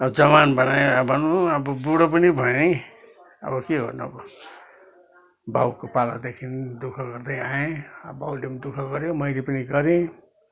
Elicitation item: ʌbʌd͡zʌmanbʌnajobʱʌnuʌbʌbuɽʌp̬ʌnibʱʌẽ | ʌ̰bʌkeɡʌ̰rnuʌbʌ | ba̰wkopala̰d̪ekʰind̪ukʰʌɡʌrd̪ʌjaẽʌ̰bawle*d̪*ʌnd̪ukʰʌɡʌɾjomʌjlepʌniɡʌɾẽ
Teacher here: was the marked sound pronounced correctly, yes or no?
no